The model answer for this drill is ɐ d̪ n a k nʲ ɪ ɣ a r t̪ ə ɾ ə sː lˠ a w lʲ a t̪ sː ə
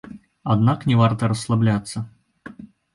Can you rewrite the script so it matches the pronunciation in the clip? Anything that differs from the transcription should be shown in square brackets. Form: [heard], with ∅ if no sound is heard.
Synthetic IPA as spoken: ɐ d̪ n a k nʲ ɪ [v] a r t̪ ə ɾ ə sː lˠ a [b] lʲ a t̪ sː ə